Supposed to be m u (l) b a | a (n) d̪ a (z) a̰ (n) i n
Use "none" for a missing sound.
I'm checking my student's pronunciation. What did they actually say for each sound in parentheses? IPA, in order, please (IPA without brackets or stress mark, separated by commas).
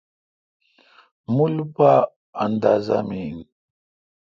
l, n, z, m